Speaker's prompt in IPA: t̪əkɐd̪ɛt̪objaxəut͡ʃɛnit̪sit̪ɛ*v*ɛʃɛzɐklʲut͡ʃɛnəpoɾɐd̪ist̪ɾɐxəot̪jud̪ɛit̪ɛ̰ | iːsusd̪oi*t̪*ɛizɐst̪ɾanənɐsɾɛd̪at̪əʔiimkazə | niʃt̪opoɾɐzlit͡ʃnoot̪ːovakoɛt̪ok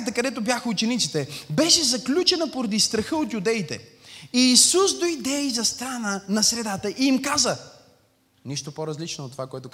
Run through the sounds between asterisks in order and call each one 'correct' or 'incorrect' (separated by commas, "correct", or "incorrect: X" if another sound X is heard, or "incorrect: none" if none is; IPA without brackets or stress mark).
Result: incorrect: b, incorrect: d̪